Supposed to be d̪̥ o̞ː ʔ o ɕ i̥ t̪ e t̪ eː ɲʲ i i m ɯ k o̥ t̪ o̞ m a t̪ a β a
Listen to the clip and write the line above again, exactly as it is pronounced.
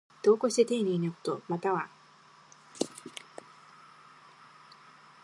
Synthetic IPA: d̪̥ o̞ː k o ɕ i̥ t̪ e t̪ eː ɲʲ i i n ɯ k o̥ t̪ o̞ m a t̪ a β a